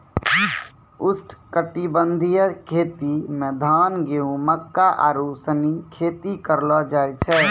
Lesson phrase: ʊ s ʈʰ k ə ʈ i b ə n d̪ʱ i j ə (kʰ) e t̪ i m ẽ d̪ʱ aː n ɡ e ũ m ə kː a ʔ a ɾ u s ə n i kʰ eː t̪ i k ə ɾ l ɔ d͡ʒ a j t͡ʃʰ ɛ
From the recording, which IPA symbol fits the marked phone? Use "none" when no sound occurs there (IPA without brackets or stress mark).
kʰ